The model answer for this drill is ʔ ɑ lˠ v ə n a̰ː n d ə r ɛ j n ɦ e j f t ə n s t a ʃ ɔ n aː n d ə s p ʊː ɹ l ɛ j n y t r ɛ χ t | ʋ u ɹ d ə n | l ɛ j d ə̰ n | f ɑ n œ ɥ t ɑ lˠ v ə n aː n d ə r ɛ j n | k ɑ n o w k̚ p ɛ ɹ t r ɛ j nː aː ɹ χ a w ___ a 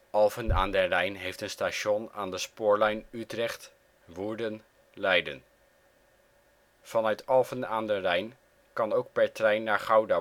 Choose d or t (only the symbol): d